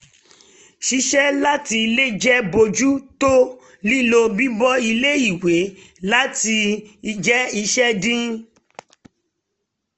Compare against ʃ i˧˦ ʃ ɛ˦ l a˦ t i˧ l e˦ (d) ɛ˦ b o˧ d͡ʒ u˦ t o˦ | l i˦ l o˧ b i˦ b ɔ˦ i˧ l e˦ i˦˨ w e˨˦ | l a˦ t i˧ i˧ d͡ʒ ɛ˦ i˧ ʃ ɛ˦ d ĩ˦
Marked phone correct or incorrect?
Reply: incorrect